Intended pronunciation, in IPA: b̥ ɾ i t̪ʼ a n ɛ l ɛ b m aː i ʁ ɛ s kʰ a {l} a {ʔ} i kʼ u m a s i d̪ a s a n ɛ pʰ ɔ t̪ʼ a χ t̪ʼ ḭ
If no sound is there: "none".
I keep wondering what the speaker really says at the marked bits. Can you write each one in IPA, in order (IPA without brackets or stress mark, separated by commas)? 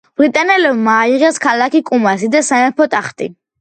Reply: l, k